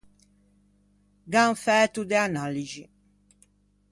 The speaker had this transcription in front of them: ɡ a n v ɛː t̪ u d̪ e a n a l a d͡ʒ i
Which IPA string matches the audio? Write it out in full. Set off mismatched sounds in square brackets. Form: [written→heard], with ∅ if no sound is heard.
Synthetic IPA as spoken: ɡ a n [v→f] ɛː t̪ u d̪ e a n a l [a→i] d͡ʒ i